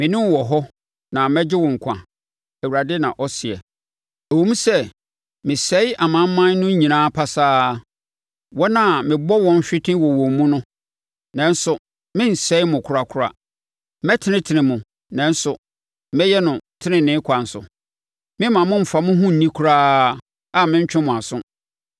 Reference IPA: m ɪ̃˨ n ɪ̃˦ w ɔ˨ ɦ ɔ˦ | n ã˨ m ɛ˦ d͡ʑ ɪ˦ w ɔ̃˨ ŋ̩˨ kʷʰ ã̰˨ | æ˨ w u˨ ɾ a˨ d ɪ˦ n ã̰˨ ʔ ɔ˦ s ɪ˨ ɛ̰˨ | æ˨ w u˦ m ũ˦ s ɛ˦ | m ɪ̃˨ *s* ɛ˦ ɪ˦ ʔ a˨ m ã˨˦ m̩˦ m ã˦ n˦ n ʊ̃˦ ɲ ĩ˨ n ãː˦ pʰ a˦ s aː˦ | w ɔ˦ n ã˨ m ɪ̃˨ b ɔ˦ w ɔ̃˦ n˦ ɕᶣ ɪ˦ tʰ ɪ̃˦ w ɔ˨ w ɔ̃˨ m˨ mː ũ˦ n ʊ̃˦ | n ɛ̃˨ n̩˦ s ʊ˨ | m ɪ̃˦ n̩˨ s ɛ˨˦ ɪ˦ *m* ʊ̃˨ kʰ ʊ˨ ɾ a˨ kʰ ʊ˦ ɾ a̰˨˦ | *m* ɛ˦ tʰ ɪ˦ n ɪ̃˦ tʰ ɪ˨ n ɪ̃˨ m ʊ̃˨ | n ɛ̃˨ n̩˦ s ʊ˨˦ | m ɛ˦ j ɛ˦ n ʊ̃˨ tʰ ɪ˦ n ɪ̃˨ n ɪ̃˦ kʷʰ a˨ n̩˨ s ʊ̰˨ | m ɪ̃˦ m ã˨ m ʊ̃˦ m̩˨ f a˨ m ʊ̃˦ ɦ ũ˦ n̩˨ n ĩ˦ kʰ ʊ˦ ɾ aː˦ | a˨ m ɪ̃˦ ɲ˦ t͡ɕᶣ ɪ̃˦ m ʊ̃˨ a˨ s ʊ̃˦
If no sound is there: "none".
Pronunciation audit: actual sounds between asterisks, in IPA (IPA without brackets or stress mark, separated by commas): s, m, m